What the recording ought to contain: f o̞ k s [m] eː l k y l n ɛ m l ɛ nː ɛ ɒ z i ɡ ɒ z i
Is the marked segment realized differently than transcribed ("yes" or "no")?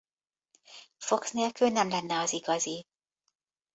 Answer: yes